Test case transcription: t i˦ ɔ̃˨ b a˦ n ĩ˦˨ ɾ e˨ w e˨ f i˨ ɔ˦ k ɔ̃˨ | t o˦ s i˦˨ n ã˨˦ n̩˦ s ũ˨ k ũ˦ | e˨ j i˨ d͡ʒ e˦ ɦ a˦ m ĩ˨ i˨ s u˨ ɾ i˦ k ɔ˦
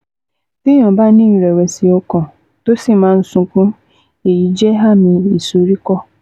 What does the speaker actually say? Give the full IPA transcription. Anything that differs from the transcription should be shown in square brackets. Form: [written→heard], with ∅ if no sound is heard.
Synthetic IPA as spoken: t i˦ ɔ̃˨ b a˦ n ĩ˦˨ ɾ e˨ w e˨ [f→s] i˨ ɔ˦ k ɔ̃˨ | t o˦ s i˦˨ [n→m] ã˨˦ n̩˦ s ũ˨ k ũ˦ | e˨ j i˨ d͡ʒ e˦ ɦ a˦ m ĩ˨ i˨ s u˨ ɾ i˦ k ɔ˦